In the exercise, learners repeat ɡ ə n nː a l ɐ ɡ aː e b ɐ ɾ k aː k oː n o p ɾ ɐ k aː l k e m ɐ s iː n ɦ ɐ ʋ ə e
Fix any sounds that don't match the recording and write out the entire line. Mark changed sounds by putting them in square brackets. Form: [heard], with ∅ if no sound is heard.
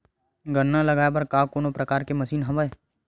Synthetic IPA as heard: ɡ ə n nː a l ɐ ɡ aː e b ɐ ɾ k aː k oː n o p ɾ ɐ k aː [ɾ] k e m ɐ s iː n ɦ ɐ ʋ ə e